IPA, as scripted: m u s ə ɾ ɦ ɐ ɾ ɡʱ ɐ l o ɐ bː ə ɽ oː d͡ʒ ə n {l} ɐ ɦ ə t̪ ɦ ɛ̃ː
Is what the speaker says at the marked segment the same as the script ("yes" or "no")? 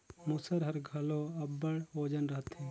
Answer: no